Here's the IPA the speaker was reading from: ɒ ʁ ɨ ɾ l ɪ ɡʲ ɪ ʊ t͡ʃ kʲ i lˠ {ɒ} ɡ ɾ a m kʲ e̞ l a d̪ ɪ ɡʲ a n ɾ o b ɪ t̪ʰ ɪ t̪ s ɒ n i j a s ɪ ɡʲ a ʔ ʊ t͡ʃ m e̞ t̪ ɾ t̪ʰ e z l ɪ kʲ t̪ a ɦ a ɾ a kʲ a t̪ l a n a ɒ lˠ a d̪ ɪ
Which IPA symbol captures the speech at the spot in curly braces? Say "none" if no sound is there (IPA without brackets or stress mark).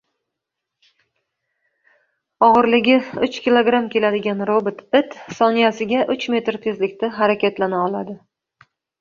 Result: o